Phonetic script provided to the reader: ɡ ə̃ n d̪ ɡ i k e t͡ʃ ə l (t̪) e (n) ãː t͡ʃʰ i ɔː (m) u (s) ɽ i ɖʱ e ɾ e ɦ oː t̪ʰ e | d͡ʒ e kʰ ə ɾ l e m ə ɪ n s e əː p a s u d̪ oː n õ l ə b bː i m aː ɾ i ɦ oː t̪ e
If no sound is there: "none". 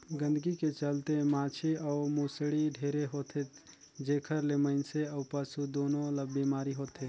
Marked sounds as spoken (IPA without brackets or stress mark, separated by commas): t̪, m, m, s